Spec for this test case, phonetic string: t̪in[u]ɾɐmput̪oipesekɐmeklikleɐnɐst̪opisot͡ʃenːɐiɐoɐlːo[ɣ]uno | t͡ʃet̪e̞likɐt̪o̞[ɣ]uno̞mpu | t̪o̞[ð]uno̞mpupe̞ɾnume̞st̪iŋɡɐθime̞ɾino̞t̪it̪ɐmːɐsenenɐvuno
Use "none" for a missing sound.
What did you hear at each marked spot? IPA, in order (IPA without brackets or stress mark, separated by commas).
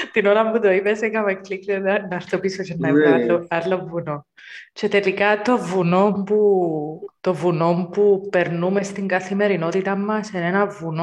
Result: o, v, v, v